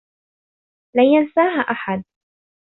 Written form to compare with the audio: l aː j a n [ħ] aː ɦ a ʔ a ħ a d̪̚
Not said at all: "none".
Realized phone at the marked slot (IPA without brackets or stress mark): s